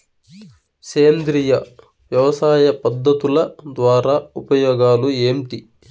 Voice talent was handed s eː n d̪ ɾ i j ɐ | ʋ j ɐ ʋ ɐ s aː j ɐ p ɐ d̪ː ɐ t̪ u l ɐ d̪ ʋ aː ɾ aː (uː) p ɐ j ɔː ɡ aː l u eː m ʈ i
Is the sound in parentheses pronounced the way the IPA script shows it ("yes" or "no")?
no